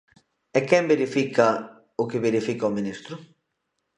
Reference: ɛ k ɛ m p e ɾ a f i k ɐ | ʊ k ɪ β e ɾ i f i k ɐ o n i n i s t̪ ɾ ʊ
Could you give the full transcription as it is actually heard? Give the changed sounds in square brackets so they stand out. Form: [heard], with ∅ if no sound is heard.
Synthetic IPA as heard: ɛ k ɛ m [b] e ɾ [i] f i k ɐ | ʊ k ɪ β e ɾ i f i k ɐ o [m] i n i s t̪ ɾ ʊ